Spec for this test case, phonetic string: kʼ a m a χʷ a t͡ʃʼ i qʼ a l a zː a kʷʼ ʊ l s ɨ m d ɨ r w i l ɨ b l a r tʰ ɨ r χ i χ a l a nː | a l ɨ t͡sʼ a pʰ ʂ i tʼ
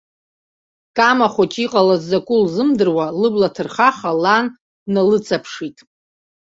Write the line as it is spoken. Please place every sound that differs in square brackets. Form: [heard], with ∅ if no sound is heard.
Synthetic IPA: kʼ a m a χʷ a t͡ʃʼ i qʼ a l a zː a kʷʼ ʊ l [z] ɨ m d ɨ r w [a] l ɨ b l a [∅] tʰ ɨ r χ [a] χ a l a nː | a l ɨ t͡sʼ a pʰ ʂ i tʼ